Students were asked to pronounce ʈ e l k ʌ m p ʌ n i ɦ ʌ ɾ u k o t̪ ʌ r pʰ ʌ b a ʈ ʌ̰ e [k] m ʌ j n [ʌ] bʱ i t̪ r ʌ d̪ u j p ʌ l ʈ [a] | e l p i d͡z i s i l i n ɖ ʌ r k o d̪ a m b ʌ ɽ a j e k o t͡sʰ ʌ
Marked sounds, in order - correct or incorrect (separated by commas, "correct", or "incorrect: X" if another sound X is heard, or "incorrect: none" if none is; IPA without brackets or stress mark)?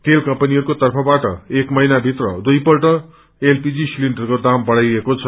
correct, incorrect: a, incorrect: ʌ